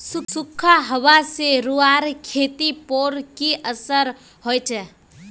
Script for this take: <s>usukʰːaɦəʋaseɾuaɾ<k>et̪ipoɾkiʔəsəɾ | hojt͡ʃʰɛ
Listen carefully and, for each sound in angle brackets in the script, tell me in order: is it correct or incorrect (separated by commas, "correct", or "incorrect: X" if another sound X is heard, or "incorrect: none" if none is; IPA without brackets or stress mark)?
correct, incorrect: kʰ